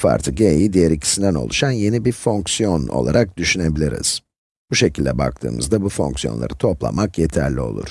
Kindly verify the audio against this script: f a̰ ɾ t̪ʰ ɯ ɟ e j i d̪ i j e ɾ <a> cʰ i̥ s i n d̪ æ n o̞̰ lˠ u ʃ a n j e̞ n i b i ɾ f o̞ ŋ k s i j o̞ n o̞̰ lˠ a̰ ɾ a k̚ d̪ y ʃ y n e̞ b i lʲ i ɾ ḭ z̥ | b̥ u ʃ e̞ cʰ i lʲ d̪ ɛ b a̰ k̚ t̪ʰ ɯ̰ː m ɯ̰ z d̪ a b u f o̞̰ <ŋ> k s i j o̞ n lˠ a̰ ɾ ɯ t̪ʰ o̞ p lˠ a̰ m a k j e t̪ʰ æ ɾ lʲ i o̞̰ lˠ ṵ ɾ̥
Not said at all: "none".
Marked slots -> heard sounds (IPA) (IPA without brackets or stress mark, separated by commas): i, ŋ